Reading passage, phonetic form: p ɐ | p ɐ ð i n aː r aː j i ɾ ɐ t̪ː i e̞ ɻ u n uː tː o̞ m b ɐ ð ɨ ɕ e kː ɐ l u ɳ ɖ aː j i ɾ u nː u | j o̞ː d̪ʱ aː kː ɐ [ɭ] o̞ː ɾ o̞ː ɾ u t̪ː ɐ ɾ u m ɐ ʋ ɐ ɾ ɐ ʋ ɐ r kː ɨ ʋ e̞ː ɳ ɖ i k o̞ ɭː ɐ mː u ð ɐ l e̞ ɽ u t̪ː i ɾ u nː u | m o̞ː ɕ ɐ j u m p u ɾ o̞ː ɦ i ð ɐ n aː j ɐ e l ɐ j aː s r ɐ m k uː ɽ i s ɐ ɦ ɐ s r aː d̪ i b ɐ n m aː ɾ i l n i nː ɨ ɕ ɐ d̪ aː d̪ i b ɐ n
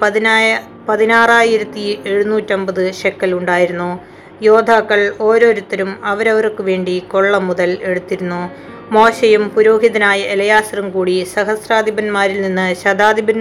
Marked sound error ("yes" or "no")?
no